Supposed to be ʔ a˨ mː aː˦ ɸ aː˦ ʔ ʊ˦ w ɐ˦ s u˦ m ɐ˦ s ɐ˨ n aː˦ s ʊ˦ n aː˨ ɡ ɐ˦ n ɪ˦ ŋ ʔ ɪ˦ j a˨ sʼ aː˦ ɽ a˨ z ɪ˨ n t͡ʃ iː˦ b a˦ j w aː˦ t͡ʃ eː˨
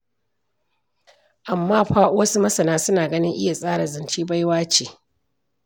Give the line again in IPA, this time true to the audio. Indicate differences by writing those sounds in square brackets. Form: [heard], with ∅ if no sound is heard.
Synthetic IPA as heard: ʔ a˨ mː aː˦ ɸ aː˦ ʔ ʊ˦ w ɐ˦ s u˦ m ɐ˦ s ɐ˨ n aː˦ s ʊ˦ n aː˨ ɡ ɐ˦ n ɪ˦ ŋ ʔ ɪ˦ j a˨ sʼ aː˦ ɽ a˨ z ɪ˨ n t͡ʃ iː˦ b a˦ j w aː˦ t͡ʃ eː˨

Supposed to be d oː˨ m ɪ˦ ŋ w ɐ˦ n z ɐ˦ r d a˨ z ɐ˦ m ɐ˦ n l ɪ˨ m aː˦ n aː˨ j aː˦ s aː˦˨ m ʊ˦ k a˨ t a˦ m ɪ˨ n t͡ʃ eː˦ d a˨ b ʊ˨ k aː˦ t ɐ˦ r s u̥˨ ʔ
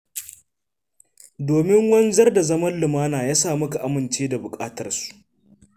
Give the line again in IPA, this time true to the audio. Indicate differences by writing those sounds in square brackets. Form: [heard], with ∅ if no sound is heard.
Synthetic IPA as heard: d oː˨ m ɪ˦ ŋ w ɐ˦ n z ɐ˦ r d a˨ z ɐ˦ m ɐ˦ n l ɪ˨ m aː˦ n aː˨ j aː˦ s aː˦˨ m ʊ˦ k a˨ [ʔ] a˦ m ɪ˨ n t͡ʃ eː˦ d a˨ b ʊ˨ [kʼ] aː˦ t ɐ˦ r s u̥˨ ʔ

